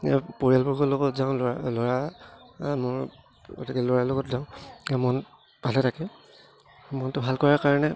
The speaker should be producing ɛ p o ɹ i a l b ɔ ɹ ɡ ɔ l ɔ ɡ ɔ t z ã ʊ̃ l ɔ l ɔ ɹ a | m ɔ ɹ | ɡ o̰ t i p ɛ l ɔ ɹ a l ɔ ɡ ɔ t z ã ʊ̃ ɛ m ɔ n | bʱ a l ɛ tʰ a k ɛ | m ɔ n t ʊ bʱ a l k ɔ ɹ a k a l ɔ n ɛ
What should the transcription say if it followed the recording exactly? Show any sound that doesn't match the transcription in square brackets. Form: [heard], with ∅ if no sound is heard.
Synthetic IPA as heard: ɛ p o ɹ i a l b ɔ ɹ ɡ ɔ l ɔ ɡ ɔ t z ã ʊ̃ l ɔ l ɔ ɹ a | m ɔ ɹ | ɡ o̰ t i [k] ɛ l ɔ ɹ a l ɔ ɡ ɔ t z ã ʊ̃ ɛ m ɔ n | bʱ a l ɛ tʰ a k ɛ | m ɔ n t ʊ bʱ a l k ɔ ɹ a k a [ɹ] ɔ n ɛ